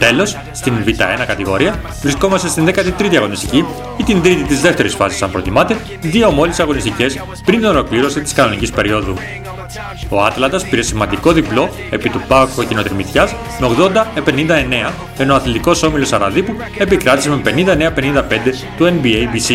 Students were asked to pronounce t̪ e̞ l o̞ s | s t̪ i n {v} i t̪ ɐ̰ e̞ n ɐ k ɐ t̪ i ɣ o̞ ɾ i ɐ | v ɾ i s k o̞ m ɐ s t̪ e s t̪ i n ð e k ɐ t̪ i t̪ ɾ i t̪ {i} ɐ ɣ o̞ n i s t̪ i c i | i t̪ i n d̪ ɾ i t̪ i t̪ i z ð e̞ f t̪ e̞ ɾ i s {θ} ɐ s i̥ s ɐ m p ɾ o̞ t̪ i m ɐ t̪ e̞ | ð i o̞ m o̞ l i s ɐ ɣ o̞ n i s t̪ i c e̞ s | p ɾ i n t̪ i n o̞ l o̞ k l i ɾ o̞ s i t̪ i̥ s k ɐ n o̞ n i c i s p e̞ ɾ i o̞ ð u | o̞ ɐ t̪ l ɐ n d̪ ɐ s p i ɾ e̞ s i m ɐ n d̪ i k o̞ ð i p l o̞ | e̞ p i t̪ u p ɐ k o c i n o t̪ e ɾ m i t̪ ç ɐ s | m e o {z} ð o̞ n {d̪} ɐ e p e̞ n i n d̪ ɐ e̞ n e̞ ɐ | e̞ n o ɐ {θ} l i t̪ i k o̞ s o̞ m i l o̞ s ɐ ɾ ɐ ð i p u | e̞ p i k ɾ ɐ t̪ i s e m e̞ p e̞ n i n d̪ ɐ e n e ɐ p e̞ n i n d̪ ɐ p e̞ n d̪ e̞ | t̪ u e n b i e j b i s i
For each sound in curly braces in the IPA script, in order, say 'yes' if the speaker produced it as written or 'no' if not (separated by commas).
yes, yes, no, no, yes, yes